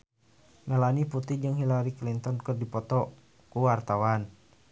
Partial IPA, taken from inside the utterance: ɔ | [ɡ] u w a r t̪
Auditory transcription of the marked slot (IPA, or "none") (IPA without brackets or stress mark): k